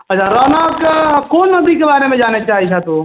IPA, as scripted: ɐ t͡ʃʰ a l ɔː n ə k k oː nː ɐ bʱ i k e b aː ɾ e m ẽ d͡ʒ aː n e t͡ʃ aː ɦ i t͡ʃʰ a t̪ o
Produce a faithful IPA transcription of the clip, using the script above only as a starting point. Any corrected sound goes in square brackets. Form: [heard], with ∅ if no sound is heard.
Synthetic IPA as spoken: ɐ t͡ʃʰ a [ɾ] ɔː n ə k k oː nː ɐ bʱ i k e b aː ɾ e m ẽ d͡ʒ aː n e t͡ʃ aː ɦ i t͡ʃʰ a t̪ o